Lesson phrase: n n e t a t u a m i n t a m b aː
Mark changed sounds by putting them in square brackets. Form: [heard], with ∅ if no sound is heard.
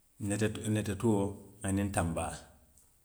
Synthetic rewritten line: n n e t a t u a [n] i n t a m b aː